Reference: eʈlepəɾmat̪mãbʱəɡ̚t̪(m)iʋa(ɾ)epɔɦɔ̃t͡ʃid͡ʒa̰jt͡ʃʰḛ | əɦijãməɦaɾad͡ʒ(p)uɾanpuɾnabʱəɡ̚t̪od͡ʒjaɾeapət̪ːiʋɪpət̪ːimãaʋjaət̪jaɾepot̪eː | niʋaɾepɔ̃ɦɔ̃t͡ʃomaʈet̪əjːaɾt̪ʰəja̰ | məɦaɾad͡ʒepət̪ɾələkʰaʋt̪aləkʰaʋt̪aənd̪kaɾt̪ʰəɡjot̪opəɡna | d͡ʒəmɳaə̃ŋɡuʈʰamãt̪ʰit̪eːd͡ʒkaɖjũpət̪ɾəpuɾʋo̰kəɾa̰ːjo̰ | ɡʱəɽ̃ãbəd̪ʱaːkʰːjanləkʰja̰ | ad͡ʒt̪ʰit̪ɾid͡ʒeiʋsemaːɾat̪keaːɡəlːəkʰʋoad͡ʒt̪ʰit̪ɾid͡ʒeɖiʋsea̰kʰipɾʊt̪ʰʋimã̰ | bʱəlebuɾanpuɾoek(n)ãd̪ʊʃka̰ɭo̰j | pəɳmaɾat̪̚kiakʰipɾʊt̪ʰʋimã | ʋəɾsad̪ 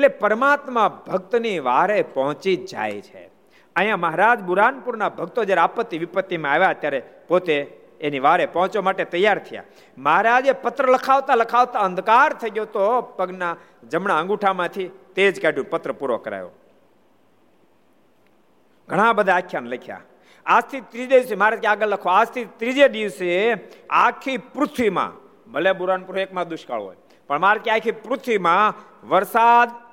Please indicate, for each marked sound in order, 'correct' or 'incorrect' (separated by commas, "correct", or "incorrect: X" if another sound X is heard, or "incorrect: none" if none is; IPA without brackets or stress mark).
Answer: incorrect: n, correct, incorrect: b, incorrect: m